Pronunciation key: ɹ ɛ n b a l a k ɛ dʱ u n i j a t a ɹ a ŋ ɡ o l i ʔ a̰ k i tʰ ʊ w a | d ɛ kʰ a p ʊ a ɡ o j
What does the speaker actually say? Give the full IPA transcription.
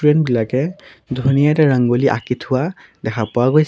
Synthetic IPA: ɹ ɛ n b i l a k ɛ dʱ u n i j a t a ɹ a ŋ ɡ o l i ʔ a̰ k i tʰ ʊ w a | d ɛ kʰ a p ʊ a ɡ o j